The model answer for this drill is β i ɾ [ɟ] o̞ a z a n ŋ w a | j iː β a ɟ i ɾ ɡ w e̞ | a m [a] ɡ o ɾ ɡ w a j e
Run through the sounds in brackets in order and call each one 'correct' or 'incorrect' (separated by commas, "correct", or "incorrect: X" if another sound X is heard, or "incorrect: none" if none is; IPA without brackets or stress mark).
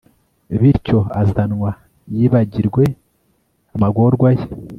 incorrect: c, correct